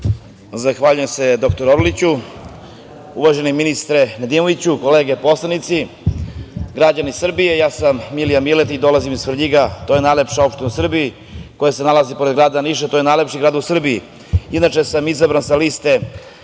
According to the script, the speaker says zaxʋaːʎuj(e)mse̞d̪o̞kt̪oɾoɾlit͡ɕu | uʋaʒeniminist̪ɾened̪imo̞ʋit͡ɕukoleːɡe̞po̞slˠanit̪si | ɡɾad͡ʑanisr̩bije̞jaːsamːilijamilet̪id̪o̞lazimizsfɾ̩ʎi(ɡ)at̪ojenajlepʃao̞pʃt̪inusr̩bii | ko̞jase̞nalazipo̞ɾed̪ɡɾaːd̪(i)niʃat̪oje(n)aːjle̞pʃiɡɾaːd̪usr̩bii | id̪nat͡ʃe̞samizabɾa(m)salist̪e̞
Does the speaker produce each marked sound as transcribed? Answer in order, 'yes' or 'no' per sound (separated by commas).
yes, yes, no, yes, no